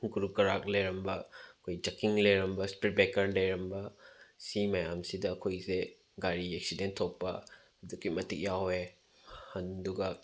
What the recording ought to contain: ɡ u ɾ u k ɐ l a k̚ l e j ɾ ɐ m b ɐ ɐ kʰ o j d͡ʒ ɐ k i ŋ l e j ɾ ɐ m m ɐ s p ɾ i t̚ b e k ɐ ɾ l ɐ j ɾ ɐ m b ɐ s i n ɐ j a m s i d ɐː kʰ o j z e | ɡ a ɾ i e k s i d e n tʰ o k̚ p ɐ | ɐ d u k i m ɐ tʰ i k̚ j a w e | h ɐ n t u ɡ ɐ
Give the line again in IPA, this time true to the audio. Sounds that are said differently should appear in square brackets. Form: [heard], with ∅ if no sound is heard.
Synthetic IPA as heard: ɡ u ɾ u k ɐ [ɾ] a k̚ l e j ɾ ɐ m b ɐ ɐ kʰ o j d͡ʒ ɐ k i ŋ l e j ɾ ɐ m [b] ɐ s p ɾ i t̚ b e k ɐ ɾ l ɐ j ɾ ɐ m b ɐ s i [m] ɐ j a m s i d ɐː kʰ o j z e | ɡ a ɾ i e k s i d e n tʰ o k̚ p ɐ | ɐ d u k i m ɐ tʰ i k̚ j a w e | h ɐ n [d] u ɡ ɐ